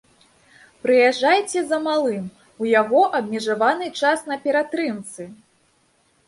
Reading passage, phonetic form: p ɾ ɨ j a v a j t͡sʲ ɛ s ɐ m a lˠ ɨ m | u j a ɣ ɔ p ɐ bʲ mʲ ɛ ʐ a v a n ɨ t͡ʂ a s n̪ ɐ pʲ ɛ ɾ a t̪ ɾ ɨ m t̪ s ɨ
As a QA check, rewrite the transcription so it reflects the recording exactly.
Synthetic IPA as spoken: p ɾ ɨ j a ʐ a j t͡sʲ ɛ z ɐ m a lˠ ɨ m | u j a ɣ ɔ ʔ ɐ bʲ mʲ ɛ ʐ a v a n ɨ t͡ʂ a s n̪ ɐ pʲ ɛ ɾ a t̪ ɾ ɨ m t̪ s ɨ